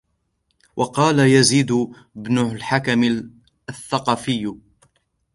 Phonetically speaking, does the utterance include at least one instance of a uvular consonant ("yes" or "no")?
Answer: yes